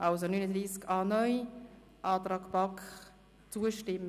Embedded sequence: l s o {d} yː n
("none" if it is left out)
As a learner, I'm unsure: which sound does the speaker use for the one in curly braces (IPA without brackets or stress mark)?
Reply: n